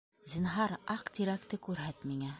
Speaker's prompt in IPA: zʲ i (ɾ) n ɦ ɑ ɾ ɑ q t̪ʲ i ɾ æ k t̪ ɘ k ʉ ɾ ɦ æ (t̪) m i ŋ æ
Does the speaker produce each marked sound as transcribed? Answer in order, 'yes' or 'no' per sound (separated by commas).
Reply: no, yes